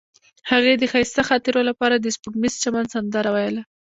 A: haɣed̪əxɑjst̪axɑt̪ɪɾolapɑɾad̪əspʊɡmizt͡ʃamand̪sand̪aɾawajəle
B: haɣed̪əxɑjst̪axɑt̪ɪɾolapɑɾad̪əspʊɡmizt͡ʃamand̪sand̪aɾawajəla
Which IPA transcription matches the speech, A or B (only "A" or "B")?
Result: B